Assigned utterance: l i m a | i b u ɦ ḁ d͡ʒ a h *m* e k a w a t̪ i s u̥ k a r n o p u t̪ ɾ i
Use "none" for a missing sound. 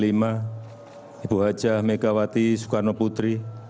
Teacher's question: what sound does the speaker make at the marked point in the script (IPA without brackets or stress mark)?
m